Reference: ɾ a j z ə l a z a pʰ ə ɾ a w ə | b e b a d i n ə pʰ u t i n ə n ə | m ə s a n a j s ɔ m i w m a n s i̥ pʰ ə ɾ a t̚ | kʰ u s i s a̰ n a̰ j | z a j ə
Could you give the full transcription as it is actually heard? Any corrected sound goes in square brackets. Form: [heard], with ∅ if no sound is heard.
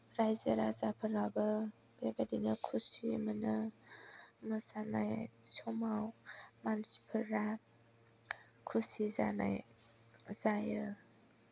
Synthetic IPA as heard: ɾ a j z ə [ɾ] a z a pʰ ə ɾ a [b] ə | b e b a d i n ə [kʰ] u [s] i [m] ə n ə | m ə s a n a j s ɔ m [a] w m a n s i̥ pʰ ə ɾ a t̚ | kʰ u s i [z] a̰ n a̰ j | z a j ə

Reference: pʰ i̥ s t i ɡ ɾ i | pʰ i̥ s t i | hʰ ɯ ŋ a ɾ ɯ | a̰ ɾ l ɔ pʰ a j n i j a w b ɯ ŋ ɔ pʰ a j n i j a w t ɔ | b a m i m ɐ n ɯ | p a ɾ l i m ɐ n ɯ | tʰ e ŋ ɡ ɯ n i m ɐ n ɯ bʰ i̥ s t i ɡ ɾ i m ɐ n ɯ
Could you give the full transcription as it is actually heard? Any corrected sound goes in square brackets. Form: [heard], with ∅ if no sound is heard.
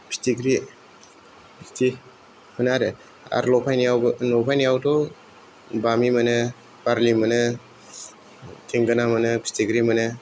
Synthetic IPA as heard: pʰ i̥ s t i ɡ ɾ i | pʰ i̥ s t i | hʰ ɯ [n] a ɾ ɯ | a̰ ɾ l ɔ pʰ a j n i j a w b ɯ [n] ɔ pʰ a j n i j a w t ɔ | b a m i m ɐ n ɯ | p a ɾ l i m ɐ n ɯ | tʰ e ŋ ɡ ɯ n [a] m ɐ n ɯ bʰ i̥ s t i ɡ ɾ i m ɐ n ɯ

